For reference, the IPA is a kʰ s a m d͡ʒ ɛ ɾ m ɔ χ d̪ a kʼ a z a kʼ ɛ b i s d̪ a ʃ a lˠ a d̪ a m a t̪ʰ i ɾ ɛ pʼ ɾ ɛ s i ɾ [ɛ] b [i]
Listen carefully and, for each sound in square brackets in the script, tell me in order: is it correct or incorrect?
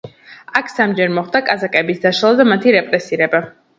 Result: correct, incorrect

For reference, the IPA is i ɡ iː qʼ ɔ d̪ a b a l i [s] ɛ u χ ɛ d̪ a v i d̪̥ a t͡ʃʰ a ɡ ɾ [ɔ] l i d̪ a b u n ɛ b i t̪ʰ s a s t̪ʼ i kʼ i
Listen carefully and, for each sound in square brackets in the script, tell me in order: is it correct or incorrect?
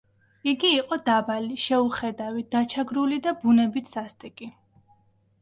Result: incorrect, incorrect

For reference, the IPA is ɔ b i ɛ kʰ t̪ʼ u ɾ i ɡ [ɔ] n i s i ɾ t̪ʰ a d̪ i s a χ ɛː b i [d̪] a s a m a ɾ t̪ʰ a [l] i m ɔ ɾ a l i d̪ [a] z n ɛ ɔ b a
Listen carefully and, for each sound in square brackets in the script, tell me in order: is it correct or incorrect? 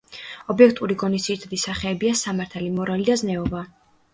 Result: correct, incorrect, correct, correct

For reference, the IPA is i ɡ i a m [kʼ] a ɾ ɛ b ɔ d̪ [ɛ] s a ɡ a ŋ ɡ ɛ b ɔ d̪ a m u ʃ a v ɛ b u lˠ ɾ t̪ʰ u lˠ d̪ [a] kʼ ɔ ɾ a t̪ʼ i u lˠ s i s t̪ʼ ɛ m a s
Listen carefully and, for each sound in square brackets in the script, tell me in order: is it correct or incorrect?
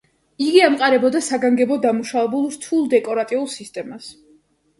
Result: incorrect, incorrect, incorrect

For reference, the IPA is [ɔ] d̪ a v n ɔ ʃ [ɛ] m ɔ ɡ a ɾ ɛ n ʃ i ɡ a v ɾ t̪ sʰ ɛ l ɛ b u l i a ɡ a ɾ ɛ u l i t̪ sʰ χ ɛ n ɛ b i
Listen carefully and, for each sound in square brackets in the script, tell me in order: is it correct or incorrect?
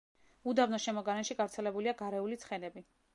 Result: incorrect, correct

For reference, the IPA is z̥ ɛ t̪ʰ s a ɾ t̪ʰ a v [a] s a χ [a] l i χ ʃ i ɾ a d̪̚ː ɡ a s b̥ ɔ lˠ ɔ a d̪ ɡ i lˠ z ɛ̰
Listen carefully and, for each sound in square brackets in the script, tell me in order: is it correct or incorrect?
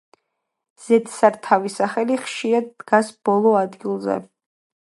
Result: incorrect, incorrect

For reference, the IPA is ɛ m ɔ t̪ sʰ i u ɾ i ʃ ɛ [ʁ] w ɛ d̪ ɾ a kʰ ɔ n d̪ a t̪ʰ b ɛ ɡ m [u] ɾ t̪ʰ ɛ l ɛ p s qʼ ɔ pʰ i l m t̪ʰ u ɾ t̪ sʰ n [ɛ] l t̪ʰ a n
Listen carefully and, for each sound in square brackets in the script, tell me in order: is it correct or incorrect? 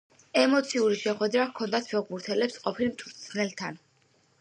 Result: incorrect, correct, correct

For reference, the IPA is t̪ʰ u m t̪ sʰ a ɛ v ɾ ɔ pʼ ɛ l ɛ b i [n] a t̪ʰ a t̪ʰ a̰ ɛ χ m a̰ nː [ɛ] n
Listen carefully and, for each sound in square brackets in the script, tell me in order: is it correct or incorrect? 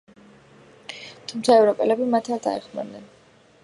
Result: incorrect, correct

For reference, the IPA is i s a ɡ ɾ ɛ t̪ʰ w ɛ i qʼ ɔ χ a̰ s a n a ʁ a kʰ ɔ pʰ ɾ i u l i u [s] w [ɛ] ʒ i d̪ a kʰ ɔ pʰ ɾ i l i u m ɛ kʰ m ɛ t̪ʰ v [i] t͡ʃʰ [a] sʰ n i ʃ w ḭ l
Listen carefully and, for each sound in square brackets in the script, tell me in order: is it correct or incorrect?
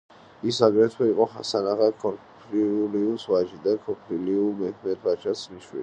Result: correct, incorrect, incorrect, correct

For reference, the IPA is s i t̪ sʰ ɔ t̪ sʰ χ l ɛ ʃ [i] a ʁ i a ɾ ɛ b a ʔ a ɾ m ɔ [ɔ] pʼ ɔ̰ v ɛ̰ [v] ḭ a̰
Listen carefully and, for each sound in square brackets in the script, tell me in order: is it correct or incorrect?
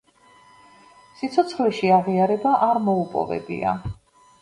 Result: correct, incorrect, incorrect

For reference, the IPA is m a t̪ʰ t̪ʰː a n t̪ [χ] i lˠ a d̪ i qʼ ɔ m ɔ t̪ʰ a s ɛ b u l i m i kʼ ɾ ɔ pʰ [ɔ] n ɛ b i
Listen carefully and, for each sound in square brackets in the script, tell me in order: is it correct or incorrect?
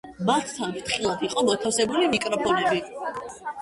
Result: correct, correct

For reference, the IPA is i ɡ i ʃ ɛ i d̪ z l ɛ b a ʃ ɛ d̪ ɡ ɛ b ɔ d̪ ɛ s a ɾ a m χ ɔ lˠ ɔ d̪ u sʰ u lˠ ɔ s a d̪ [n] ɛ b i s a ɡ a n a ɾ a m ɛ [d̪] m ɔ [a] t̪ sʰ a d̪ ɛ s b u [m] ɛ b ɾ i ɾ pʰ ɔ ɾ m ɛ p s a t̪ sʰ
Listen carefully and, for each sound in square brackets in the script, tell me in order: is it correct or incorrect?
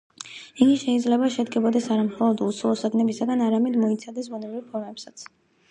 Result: correct, correct, incorrect, incorrect

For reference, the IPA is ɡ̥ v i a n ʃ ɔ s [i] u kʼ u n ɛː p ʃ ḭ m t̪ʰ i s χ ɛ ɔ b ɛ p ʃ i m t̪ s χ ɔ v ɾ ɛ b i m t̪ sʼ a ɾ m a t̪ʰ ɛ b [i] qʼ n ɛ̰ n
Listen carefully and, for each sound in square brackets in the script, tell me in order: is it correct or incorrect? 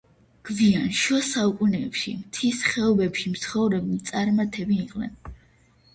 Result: incorrect, incorrect

